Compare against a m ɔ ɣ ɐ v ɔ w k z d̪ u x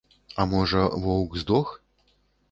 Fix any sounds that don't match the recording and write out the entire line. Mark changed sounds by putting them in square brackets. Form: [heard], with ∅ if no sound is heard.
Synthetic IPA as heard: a m ɔ [ʐ] ɐ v ɔ w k z d̪ [ɔ] x